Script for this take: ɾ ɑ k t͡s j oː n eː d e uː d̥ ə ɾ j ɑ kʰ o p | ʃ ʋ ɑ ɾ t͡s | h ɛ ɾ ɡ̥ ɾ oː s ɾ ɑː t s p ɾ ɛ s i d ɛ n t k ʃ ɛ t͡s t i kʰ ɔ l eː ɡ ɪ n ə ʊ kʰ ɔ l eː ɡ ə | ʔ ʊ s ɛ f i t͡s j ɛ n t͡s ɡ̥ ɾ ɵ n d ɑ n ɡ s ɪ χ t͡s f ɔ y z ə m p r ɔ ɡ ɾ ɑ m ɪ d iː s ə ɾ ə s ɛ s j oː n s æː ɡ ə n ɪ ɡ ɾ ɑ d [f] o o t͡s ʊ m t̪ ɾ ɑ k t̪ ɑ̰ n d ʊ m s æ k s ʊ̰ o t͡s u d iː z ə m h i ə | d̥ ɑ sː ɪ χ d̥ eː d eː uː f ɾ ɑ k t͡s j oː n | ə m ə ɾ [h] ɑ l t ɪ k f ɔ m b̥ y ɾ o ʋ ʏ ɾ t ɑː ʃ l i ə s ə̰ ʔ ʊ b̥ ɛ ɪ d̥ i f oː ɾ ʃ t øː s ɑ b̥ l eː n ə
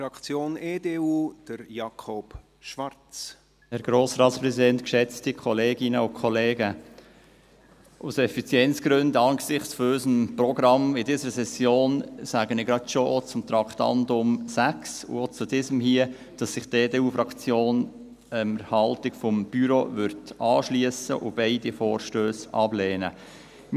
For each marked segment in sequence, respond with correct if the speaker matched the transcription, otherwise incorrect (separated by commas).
incorrect, correct